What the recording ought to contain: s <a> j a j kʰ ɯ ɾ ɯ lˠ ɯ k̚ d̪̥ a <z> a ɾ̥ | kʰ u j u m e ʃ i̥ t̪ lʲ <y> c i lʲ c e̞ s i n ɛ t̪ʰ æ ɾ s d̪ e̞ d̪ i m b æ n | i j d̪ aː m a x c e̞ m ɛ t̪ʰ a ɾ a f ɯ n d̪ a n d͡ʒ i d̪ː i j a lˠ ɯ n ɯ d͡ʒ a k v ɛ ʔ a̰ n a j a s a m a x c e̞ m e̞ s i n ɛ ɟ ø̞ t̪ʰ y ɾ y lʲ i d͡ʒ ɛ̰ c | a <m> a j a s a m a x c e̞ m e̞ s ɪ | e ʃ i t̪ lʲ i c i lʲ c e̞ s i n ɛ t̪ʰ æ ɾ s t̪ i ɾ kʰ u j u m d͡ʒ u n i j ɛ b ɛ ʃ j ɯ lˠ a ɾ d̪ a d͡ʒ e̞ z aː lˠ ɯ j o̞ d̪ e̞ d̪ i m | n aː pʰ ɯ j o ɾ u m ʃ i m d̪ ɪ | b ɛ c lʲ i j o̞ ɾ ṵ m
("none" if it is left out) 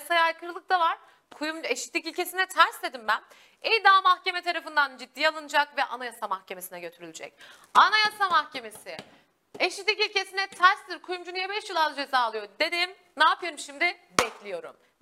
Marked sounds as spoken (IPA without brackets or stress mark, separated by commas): a, v, i, n